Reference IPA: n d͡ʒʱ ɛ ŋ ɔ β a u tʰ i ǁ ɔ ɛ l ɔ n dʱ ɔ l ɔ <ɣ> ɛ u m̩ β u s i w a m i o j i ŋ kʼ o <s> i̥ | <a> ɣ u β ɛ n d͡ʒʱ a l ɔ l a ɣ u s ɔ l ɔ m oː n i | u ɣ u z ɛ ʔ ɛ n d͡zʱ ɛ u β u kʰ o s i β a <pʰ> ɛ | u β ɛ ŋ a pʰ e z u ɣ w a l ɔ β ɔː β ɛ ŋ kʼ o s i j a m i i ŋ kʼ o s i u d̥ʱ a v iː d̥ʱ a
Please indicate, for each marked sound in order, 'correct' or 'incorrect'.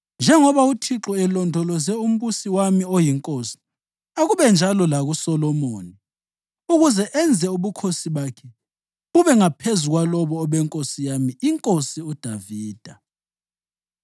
incorrect: z, correct, correct, incorrect: kʰ

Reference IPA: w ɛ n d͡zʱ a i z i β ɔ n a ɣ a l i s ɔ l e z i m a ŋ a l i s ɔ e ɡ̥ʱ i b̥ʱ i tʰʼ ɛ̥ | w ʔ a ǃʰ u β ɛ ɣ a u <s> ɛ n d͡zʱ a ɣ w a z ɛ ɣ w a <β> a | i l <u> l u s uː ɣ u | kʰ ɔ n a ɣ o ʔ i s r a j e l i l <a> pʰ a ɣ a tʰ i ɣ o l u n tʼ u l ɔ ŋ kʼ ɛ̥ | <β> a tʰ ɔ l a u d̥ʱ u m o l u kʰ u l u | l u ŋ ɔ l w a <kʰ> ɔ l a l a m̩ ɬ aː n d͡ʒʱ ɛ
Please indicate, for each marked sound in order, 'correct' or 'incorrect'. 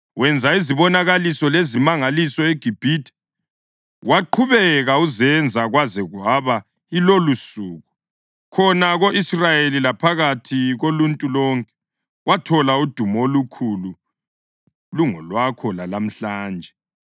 incorrect: z, correct, incorrect: o, correct, incorrect: w, correct

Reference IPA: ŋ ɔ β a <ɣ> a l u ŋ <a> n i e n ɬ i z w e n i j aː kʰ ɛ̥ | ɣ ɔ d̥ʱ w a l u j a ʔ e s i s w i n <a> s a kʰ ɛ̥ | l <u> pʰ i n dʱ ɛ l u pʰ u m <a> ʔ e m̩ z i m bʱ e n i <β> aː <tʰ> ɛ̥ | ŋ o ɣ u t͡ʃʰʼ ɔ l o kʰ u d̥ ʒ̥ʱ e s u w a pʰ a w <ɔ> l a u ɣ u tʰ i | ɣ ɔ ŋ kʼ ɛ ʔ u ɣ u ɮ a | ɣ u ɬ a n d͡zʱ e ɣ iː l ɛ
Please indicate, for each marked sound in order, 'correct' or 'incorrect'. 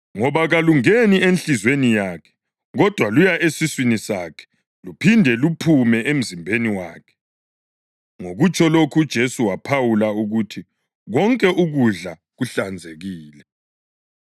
correct, incorrect: e, incorrect: i, correct, incorrect: ɛ, incorrect: w, incorrect: kʰ, incorrect: u

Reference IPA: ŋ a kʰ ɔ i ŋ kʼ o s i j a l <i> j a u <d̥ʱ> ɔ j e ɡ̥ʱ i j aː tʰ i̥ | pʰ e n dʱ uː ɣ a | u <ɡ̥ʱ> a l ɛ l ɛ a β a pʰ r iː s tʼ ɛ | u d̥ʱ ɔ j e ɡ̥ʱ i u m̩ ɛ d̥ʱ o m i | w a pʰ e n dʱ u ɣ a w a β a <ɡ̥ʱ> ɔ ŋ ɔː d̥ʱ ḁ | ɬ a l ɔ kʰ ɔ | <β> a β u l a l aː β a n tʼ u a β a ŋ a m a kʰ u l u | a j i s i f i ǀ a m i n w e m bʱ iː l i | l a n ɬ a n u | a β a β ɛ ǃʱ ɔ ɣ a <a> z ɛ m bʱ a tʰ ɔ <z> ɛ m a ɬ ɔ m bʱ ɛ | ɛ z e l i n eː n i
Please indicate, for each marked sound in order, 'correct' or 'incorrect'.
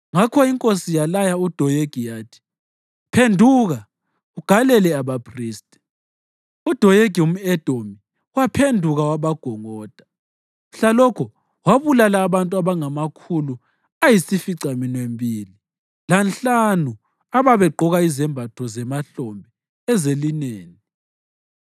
incorrect: a, correct, correct, correct, incorrect: w, incorrect: i, correct

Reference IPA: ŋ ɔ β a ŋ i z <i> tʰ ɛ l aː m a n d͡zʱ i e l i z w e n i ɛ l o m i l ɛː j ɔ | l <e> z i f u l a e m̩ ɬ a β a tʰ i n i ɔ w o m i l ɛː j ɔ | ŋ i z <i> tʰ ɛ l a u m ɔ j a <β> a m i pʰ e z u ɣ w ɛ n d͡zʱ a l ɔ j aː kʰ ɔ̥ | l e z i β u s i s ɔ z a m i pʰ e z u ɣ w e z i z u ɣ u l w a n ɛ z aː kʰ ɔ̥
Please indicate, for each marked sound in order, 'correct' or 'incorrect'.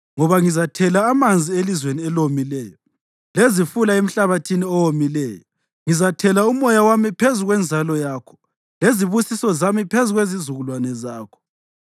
incorrect: a, correct, incorrect: a, incorrect: w

